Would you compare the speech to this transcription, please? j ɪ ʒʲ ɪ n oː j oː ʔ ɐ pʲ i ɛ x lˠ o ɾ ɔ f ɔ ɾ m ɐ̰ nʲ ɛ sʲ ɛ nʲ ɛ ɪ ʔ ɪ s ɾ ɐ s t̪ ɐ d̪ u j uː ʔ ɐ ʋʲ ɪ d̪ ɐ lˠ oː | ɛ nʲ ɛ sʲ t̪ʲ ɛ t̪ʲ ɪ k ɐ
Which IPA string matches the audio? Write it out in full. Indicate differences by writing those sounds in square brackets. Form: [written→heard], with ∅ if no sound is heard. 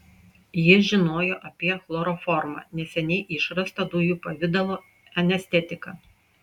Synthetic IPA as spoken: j ɪ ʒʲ ɪ n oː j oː ʔ ɐ pʲ i ɛ x lˠ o ɾ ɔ f ɔ ɾ m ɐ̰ nʲ ɛ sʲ ɛ nʲ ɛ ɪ ʔ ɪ [s→ʃ] ɾ ɐ s t̪ ɐ d̪ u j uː [ʔ→p] ɐ ʋʲ ɪ d̪ ɐ lˠ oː | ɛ nʲ ɛ sʲ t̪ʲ ɛ t̪ʲ ɪ k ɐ